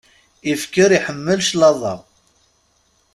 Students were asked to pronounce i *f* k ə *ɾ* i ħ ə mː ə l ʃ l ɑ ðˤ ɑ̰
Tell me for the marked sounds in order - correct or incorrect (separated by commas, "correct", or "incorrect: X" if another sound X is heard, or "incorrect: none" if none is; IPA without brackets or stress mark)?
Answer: correct, correct